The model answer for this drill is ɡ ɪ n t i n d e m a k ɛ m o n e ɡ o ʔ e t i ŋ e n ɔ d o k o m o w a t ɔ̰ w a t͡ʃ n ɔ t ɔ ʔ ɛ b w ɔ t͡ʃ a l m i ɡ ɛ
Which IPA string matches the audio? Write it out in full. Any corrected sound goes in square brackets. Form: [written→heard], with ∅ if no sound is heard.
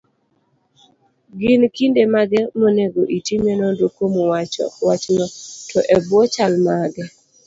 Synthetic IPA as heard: ɡ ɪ n [t→k] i n d e m a [k→ɡ] ɛ m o n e ɡ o ʔ [e→i] t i [ŋ→m] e n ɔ d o k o m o w a [t→t͡ʃ] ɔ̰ w a t͡ʃ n ɔ t ɔ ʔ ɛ b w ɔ t͡ʃ a l m [i→a] ɡ ɛ